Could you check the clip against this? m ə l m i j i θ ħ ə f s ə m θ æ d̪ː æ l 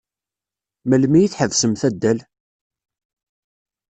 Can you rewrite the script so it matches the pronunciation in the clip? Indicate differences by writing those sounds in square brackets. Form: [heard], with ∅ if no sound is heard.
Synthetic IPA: m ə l m i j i θ ħ ə [v] s ə m θ æ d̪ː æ l